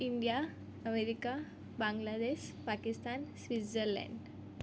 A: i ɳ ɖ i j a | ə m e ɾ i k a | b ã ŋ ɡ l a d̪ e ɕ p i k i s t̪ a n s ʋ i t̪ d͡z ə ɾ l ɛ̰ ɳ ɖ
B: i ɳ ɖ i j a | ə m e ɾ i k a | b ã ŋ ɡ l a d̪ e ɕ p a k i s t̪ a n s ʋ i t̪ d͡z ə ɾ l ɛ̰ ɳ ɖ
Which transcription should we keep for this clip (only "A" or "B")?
B